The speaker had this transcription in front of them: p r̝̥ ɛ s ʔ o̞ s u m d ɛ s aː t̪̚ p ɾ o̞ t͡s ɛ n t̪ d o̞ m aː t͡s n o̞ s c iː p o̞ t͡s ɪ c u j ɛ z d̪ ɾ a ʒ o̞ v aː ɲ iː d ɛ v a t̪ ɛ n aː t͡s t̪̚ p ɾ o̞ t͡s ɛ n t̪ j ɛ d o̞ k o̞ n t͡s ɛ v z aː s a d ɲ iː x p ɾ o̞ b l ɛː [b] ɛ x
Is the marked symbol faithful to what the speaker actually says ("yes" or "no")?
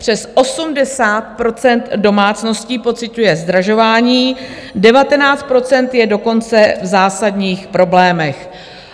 no